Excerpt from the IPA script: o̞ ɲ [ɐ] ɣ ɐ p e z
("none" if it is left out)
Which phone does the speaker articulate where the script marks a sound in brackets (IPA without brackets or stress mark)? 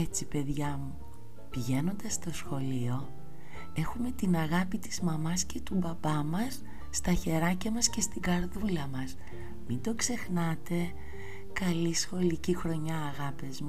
ɐː